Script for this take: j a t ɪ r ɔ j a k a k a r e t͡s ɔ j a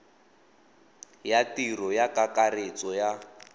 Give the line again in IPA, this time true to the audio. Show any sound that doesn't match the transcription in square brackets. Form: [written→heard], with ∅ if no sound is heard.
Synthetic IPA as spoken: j a t [ɪ→i] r ɔ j a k a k a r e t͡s ɔ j a

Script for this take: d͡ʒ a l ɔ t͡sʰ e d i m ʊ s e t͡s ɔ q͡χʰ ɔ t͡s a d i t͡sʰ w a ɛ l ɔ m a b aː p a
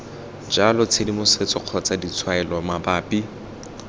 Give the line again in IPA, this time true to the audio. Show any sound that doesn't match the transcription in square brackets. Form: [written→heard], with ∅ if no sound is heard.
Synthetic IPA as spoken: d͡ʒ a l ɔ t͡sʰ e d i m ʊ s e t͡s ɔ q͡χʰ ɔ t͡s a d i t͡sʰ w a ɛ l ɔ m a b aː p [a→i]

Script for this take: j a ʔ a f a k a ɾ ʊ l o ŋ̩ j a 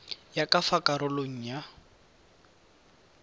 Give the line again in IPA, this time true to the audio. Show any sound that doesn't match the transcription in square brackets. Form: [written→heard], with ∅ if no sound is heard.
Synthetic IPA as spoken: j a [ʔ→k] a f a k a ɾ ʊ l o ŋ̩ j a

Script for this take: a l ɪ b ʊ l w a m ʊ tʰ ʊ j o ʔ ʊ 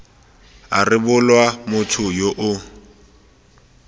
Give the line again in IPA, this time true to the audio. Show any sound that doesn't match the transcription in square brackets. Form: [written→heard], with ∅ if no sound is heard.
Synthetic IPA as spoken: a [l→r] ɪ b ʊ l w a m ʊ tʰ ʊ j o ʔ ʊ

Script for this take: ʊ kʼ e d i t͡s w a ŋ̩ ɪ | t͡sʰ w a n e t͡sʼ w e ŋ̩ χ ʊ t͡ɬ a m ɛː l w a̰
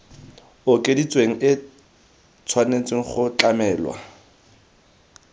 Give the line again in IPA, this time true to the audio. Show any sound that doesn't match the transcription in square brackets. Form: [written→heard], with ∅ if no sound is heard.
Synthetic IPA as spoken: ʊ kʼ e d i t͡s w [a→e] ŋ̩ ɪ | t͡sʰ w a n e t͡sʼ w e ŋ̩ χ ʊ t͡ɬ a m ɛː l w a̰

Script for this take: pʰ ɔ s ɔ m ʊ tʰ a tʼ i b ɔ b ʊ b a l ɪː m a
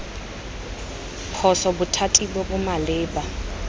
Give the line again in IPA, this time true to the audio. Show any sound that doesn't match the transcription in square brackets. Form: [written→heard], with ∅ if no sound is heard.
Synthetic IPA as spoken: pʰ ɔ s ɔ [m→b] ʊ tʰ a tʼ i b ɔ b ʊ [b→m] a l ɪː [m→b] a

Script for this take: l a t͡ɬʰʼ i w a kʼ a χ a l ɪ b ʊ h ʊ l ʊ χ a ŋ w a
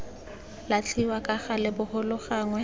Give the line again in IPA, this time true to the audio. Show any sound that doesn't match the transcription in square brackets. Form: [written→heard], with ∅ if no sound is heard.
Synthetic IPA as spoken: l a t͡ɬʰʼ i w a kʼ a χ a l ɪ b ʊ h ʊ l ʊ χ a ŋ w [a→ɛ]

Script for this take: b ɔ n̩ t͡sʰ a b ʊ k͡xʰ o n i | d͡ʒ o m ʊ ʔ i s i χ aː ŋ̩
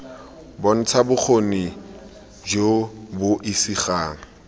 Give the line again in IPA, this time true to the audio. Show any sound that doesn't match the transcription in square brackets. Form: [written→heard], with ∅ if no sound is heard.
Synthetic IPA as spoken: b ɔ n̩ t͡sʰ a b ʊ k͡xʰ o n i | d͡ʒ o [m→b] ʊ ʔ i s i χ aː ŋ̩

